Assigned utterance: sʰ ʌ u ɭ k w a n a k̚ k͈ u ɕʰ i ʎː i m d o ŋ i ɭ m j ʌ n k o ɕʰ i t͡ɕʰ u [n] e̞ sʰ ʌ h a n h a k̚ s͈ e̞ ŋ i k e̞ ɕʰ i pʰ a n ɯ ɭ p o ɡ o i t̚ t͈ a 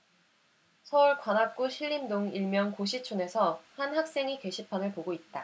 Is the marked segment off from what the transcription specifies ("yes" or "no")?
no